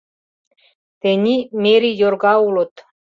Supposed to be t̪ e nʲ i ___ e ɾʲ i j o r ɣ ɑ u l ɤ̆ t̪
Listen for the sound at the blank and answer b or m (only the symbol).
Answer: m